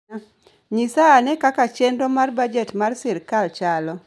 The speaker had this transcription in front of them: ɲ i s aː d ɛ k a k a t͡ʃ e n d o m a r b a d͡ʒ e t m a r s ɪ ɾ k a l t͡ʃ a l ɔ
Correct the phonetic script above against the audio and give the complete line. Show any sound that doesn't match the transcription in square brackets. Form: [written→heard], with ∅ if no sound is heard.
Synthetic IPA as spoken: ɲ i s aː [d→n] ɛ k a k a t͡ʃ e n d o m a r b a d͡ʒ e t m a r s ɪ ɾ k a l t͡ʃ a l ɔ